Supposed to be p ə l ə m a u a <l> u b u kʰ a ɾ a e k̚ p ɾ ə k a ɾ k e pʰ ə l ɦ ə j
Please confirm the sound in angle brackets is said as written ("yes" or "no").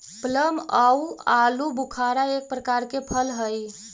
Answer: yes